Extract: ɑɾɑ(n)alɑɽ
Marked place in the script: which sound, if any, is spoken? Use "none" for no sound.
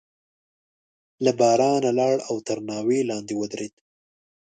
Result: n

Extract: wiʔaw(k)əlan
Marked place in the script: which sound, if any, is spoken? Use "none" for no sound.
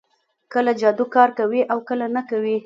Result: k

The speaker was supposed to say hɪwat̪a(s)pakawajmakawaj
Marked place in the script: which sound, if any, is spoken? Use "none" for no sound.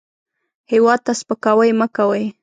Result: s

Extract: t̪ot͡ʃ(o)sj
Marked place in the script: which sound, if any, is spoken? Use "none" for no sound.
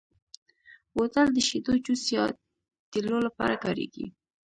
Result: u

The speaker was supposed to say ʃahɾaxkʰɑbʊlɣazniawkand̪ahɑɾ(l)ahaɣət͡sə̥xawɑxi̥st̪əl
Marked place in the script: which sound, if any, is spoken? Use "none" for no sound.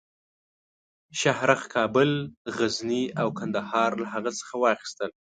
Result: l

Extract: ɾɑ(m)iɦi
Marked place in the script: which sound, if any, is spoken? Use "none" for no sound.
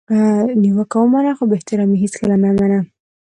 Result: m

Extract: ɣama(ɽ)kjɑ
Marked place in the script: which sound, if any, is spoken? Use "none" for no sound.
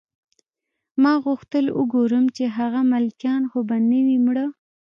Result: l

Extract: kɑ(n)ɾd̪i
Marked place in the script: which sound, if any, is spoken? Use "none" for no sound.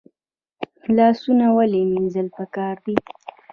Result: none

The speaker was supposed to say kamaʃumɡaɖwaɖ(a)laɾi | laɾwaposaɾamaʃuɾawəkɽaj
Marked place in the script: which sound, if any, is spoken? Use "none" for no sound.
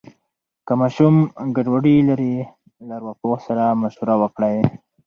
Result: i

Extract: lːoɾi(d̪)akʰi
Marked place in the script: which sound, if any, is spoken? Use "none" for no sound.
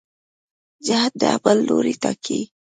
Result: t̪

